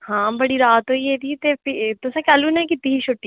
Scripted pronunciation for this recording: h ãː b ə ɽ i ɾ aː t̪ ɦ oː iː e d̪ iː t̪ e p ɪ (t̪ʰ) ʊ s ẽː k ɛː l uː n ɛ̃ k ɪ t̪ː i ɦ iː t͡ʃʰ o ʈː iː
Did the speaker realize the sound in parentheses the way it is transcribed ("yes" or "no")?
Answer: no